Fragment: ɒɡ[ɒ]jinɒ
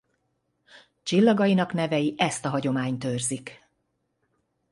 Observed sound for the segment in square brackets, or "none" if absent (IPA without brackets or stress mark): ɒ